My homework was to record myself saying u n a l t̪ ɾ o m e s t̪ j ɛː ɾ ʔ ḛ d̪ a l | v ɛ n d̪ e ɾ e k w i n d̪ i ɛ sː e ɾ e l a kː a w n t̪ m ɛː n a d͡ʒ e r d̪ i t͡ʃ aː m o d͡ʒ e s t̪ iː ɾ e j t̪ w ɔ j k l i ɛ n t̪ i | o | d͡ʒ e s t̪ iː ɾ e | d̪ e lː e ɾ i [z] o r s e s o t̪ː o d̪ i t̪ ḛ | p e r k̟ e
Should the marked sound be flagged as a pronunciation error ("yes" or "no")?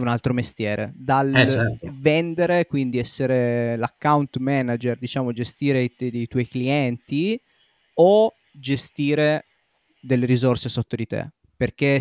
no